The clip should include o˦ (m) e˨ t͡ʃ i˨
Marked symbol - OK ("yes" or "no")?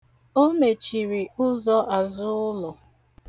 yes